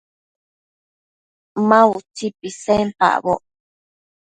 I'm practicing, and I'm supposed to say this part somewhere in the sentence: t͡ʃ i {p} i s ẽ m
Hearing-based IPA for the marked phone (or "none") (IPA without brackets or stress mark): p